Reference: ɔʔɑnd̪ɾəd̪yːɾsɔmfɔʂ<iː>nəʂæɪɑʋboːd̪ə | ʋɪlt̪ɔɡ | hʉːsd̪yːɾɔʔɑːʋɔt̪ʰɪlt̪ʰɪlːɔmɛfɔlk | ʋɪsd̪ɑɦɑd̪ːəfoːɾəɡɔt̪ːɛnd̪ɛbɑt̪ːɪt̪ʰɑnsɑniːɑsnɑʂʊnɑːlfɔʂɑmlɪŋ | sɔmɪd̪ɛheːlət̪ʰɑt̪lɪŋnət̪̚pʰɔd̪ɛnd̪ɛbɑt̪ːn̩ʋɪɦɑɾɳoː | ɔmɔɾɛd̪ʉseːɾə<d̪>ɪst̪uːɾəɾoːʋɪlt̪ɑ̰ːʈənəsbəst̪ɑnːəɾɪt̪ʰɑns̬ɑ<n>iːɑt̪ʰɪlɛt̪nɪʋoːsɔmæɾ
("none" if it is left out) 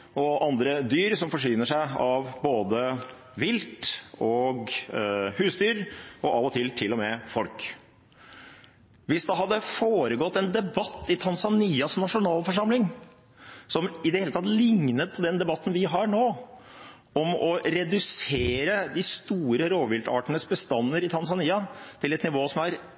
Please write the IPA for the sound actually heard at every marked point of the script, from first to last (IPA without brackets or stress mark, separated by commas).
yː, d̪, n